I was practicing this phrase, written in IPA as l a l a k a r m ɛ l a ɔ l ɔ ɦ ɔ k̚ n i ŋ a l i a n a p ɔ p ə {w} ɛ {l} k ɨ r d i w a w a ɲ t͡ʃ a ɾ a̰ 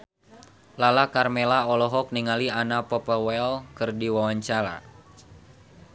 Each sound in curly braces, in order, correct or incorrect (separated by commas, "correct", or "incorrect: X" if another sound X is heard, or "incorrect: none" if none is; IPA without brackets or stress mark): correct, correct